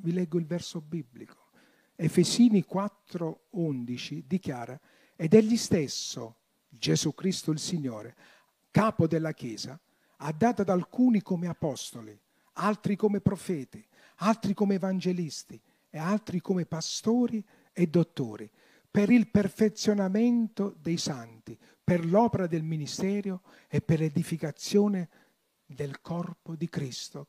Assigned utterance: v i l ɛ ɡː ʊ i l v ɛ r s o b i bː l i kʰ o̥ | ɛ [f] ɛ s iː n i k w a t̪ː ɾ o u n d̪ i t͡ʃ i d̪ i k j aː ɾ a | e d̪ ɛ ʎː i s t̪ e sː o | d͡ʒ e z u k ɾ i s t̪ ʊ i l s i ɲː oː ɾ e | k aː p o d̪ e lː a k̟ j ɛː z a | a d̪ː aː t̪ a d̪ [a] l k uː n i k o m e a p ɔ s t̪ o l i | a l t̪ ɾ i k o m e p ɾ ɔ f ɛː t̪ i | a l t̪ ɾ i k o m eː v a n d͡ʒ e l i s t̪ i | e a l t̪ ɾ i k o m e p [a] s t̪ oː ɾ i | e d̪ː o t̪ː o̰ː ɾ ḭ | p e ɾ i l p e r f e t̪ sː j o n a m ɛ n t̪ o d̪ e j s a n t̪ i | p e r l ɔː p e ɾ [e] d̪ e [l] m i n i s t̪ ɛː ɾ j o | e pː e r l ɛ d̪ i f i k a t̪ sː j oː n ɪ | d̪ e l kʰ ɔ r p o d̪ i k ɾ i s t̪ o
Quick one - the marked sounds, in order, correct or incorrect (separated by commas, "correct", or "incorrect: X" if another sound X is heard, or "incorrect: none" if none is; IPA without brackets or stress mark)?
correct, correct, correct, incorrect: a, correct